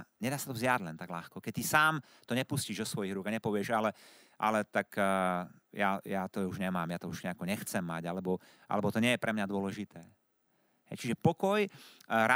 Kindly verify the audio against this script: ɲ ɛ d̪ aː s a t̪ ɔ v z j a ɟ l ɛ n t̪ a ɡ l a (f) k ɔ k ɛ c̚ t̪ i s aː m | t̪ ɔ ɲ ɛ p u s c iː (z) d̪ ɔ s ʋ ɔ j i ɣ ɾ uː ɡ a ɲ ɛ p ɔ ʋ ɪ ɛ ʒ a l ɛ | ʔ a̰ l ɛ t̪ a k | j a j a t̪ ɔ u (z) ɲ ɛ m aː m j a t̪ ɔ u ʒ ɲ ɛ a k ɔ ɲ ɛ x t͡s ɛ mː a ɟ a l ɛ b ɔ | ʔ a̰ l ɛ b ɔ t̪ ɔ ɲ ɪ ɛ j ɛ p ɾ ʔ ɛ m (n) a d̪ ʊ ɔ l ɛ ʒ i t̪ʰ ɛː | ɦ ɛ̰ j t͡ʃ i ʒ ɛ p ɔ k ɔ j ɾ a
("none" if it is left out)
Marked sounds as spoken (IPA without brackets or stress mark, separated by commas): x, ʒ, ʒ, ɲ